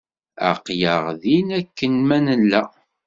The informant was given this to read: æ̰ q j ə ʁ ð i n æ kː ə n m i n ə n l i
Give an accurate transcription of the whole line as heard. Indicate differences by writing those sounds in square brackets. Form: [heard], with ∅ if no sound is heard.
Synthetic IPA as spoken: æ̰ q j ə ʁ ð i n æ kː ə n m [æ] n ə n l [æ]